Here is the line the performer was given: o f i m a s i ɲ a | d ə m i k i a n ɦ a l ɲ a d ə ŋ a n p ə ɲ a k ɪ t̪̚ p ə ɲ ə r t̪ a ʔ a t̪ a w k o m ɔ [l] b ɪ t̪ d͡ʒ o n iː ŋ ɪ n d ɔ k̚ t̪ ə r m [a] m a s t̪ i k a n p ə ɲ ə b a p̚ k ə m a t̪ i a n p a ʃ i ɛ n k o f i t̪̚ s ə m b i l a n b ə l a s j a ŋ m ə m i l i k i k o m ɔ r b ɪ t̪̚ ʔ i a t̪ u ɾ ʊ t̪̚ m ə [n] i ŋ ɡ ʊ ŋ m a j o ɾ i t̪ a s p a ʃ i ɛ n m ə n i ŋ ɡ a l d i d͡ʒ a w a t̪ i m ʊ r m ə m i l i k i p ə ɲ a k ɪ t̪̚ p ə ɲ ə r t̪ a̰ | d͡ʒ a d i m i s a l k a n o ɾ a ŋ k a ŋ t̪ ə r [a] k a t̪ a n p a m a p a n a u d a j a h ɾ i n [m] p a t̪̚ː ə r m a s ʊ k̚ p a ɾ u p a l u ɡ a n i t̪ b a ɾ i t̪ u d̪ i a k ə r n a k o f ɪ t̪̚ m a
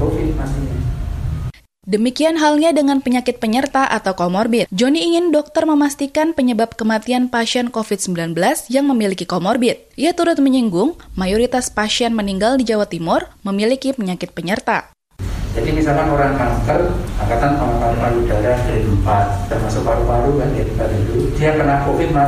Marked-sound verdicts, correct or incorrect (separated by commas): incorrect, incorrect, incorrect, correct, correct